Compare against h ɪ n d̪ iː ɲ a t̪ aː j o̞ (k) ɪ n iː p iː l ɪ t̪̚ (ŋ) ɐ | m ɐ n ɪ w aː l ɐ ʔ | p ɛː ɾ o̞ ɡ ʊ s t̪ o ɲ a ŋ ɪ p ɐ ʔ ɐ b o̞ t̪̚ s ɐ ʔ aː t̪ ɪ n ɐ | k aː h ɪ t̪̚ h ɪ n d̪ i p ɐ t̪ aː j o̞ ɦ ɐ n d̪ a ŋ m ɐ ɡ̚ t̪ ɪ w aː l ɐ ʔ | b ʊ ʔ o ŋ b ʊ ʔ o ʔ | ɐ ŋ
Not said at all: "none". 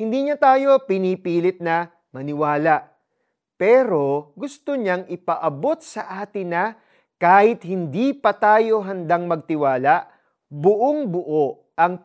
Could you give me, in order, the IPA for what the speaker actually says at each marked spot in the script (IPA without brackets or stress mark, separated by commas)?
p, n